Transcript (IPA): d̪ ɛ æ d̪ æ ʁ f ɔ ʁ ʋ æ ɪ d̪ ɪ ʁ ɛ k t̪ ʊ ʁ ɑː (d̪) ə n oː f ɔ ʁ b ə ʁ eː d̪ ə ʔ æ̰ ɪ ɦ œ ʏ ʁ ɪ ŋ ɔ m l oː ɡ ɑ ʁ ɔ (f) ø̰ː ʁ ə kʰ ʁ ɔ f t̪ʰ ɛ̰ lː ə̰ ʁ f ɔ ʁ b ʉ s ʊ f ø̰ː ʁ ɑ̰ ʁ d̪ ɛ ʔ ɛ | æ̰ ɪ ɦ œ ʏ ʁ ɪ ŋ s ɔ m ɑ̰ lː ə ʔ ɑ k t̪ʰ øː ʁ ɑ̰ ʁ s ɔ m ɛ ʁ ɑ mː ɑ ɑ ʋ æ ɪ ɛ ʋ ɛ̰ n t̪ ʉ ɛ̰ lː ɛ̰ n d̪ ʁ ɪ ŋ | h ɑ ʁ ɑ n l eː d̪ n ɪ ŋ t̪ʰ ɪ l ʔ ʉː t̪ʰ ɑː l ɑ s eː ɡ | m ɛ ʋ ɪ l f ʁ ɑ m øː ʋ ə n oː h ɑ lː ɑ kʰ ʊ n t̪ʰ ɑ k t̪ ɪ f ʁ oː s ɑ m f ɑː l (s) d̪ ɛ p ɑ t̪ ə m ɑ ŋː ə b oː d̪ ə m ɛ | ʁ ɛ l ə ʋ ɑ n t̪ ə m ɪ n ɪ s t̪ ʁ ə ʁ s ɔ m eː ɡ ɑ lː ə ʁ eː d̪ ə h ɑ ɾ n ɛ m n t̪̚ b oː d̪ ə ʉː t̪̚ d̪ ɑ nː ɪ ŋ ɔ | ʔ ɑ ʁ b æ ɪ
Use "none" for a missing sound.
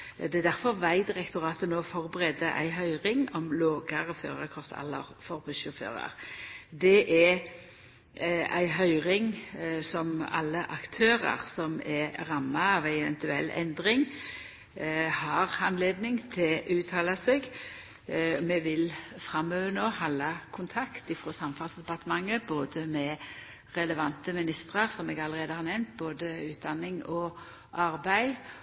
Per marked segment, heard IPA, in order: t̪, f, s

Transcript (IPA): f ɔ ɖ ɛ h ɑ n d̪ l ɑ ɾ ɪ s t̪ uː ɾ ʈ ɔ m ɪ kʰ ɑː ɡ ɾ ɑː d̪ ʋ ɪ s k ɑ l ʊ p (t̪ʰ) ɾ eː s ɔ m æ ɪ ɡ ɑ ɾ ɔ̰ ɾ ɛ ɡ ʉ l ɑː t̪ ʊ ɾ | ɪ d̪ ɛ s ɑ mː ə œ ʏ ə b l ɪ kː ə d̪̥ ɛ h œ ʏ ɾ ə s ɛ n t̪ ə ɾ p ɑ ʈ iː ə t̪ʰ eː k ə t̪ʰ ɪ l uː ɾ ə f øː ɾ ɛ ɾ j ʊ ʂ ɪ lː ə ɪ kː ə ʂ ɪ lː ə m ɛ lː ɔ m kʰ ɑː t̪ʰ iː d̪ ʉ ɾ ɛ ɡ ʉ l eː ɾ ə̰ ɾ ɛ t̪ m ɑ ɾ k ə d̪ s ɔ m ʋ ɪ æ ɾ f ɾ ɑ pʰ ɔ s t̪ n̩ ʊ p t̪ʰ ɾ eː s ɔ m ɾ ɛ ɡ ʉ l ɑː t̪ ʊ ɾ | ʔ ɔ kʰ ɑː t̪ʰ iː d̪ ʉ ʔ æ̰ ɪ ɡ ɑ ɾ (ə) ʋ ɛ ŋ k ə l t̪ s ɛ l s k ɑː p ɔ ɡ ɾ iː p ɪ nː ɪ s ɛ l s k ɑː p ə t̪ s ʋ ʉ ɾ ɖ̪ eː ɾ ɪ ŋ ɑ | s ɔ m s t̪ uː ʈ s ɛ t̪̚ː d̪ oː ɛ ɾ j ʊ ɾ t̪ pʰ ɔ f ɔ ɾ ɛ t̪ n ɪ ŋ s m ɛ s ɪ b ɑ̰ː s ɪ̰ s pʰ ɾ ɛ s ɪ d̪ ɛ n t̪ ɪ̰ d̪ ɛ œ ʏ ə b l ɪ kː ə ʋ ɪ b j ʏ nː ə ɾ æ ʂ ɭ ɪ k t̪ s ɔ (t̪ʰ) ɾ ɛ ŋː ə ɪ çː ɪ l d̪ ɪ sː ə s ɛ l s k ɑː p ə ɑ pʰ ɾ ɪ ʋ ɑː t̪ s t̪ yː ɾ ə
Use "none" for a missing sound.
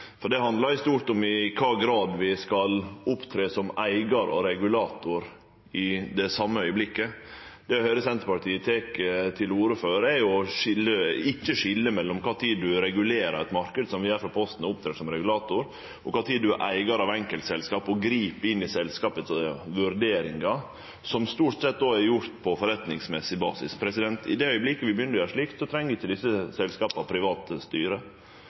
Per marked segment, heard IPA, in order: t̪ʰ, ɑ, t̪ʰ

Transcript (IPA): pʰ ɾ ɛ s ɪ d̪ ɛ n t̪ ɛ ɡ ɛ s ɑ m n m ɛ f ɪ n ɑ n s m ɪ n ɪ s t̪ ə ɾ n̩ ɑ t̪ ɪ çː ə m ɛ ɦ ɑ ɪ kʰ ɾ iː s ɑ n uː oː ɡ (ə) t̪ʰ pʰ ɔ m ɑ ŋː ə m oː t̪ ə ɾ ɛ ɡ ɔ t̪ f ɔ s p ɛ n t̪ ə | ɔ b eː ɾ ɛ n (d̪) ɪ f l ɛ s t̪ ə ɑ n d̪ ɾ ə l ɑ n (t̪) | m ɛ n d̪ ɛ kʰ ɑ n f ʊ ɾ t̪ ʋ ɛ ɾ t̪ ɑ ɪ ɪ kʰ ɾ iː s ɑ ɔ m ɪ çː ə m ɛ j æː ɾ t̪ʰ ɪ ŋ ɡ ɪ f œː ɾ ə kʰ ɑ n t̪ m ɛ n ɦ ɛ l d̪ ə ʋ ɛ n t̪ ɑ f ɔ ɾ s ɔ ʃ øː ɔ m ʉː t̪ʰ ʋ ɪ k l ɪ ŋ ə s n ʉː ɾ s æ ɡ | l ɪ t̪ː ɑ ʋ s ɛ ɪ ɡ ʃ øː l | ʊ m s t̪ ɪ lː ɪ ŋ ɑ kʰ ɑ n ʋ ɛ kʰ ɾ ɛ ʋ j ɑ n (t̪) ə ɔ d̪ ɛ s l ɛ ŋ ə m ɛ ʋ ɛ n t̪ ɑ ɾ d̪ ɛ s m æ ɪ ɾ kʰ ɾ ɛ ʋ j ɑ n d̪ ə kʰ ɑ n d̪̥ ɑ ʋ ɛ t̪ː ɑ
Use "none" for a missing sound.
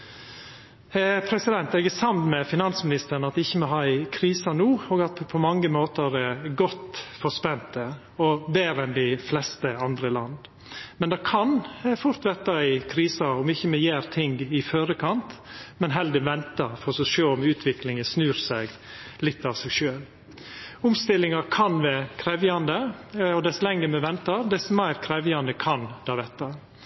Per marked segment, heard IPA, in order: ɑ, d̪, d̪, d̪

